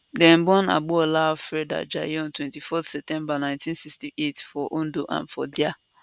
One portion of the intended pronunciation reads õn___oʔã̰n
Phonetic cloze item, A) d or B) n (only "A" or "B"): A